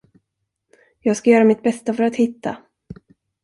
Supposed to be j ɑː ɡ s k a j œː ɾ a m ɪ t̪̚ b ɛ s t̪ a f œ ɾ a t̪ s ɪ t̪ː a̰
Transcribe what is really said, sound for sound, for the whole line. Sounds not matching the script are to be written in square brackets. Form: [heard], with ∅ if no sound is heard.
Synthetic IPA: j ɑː ɡ s k a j œː ɾ a m ɪ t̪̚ b ɛ s t̪ a f œ ɾ a t̪ [h] ɪ t̪ː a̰